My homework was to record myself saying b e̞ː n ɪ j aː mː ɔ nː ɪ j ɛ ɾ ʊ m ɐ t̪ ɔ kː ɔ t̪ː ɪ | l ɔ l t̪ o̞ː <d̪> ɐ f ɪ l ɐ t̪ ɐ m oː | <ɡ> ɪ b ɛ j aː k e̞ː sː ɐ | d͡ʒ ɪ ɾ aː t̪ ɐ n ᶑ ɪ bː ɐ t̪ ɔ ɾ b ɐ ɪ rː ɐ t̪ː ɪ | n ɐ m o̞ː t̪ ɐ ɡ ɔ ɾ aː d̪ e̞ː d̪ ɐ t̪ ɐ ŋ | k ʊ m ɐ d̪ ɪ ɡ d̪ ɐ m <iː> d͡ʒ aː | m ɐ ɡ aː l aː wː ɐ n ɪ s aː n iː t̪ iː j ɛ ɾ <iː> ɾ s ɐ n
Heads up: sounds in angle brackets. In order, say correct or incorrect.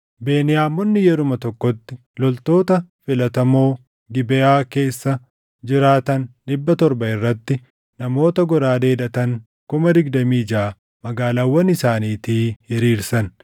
incorrect: t̪, correct, correct, correct

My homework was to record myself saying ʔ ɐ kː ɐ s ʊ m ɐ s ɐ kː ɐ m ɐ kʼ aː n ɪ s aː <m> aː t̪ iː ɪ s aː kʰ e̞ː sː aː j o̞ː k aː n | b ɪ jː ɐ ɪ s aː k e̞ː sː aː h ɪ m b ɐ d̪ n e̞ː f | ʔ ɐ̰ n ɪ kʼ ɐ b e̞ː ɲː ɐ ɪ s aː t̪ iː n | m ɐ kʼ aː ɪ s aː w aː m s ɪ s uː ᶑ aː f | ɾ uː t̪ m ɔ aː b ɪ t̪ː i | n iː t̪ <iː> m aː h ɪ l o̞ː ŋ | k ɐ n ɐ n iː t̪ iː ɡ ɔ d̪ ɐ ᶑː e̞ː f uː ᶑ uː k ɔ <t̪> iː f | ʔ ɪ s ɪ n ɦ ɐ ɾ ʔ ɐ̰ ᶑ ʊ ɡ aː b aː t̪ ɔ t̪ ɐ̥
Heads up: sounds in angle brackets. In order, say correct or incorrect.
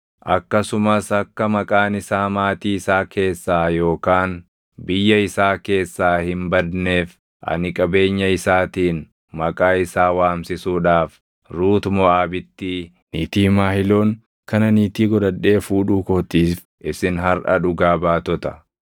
correct, correct, correct

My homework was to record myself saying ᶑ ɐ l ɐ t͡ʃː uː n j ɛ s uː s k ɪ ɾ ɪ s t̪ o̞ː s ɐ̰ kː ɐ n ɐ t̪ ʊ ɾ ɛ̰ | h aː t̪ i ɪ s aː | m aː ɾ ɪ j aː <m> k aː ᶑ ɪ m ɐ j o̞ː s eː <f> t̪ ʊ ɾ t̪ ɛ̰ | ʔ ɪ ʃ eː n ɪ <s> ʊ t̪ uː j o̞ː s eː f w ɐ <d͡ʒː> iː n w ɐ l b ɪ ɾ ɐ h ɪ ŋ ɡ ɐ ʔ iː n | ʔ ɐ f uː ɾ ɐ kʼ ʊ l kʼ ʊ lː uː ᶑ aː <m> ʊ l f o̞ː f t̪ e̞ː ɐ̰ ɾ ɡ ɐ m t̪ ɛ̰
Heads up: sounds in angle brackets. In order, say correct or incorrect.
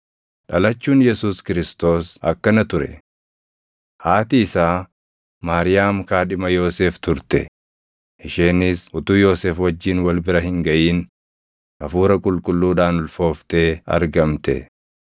correct, correct, correct, correct, incorrect: n

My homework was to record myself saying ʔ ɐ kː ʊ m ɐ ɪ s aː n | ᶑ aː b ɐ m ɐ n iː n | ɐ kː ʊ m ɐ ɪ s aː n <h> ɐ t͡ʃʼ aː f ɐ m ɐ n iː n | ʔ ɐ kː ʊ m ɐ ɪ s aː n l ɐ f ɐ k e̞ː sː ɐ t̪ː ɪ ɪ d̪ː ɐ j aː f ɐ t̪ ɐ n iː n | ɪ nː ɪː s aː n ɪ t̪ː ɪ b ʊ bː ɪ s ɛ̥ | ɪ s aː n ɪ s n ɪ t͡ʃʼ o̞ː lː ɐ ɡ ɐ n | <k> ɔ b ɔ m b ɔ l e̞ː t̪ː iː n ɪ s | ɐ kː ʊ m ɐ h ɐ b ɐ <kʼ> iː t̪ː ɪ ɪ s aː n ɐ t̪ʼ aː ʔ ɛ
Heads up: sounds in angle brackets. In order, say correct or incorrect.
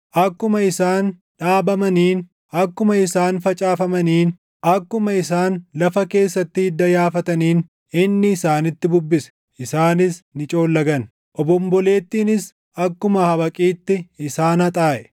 incorrect: f, incorrect: ʔ, correct

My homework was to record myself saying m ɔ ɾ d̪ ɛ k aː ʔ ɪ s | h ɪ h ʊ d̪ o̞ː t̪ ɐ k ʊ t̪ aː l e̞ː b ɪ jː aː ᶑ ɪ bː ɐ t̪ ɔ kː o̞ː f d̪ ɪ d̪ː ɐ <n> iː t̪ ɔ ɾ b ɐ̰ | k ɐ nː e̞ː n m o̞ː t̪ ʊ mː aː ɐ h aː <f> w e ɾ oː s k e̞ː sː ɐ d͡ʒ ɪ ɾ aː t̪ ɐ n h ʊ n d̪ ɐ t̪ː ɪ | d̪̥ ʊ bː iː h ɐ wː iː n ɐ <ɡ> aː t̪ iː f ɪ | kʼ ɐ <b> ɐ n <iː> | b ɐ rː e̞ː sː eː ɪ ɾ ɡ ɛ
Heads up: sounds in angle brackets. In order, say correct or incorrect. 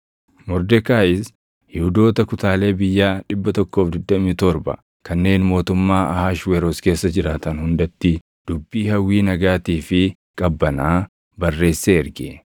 incorrect: m, incorrect: ʃ, correct, incorrect: bː, incorrect: aː

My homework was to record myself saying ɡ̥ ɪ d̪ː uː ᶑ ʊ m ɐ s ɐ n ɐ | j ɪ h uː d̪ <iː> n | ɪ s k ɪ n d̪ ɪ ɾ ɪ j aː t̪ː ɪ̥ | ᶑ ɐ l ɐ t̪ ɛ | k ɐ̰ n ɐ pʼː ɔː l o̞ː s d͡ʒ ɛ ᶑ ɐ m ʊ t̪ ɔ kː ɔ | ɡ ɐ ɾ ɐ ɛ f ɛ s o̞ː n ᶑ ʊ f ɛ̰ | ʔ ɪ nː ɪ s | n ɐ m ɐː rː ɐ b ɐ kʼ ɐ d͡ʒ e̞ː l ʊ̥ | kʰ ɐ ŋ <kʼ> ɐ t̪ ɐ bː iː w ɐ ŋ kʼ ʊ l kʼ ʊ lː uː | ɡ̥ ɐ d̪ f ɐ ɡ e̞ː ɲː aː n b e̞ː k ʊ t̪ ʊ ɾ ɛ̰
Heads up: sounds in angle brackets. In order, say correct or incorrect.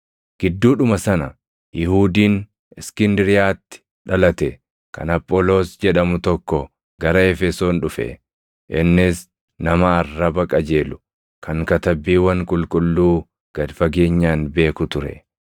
correct, incorrect: k

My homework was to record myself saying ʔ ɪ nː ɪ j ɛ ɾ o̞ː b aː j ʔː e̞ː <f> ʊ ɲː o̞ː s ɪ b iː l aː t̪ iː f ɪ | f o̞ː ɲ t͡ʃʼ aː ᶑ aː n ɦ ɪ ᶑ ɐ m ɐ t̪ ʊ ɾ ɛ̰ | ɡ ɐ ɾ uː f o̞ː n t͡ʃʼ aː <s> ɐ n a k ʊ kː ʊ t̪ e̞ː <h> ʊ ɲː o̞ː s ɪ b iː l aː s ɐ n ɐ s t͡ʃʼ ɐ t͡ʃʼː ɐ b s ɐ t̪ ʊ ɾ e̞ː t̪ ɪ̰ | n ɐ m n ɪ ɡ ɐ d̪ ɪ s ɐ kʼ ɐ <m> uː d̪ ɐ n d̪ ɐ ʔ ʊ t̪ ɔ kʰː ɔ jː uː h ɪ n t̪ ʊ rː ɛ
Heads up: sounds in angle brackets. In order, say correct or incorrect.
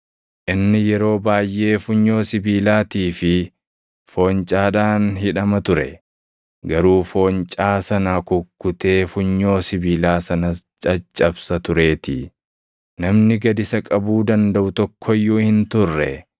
correct, correct, incorrect: f, incorrect: b

